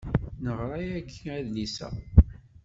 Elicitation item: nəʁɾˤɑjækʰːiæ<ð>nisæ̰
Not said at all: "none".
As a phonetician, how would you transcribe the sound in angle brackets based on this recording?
ð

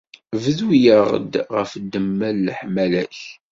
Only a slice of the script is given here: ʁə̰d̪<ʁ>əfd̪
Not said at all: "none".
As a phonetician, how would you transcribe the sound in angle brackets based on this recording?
ʁ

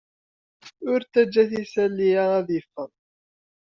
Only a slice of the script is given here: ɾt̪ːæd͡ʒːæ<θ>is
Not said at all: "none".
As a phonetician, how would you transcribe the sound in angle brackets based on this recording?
θ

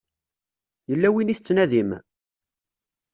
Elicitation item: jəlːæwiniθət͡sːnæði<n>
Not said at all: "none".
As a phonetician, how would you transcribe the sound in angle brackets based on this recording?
m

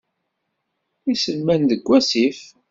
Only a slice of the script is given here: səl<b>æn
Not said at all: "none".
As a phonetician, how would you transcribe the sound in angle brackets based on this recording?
m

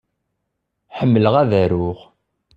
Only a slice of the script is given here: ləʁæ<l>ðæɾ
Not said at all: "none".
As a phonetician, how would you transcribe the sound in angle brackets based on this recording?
none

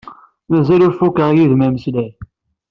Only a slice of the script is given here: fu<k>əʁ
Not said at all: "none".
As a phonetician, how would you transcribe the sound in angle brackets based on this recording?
k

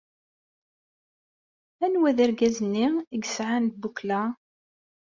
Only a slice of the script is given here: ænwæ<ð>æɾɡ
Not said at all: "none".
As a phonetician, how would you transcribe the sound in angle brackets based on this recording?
ð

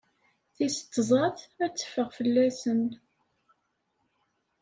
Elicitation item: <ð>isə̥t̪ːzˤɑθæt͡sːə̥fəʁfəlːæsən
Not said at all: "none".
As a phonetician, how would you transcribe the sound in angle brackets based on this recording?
θ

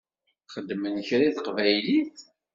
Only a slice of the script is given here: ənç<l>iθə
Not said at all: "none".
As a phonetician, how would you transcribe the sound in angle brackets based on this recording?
ɾ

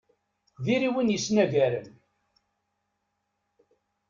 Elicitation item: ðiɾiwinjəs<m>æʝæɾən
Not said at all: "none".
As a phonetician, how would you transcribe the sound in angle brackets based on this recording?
n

